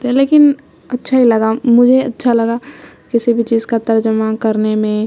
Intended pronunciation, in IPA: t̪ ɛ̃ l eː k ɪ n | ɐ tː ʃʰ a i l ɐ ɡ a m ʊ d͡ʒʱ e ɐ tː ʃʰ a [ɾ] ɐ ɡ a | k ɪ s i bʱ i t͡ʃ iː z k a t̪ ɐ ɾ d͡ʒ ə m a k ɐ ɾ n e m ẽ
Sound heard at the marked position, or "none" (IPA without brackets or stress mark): l